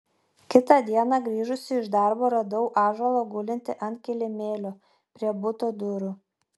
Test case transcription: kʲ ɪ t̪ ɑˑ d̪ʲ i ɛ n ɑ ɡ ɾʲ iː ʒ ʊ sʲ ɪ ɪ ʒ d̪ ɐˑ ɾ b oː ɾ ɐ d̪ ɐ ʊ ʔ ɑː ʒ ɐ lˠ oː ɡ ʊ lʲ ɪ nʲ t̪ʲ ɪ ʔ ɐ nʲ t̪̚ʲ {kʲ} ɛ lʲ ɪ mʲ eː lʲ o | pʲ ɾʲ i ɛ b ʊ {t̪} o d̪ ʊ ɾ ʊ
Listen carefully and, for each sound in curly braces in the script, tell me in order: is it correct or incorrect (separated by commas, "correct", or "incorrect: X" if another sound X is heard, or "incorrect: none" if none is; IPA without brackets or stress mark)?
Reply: correct, correct